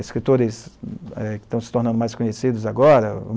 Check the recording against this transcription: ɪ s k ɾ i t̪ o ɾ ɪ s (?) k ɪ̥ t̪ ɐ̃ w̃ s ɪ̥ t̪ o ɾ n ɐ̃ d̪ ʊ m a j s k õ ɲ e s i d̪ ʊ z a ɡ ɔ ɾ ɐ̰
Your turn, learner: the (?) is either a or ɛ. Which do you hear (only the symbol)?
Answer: ɛ